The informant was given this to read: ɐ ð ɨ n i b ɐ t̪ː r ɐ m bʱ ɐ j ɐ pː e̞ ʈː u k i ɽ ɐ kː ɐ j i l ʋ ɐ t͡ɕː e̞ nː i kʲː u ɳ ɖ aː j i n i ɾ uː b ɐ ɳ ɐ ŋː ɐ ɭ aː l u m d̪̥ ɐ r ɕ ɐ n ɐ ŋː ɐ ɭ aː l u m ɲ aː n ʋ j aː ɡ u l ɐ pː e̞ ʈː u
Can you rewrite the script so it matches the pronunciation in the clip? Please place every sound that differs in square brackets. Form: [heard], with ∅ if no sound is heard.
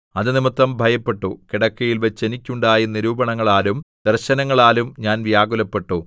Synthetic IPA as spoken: ɐ ð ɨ n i [m] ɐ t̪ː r ɐ m bʱ ɐ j ɐ pː e̞ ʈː u k i ɽ ɐ kː ɐ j i l ʋ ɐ t͡ɕː e̞ [n] i kʲː u ɳ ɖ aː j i n i ɾ uː b ɐ ɳ ɐ ŋː ɐ ɭ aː l u m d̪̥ ɐ r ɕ ɐ n ɐ ŋː ɐ ɭ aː l u m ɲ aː n ʋ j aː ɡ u l ɐ pː e̞ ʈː u